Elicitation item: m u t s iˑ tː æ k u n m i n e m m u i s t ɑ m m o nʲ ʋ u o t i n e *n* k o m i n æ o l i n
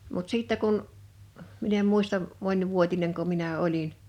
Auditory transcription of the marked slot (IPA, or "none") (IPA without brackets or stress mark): ŋ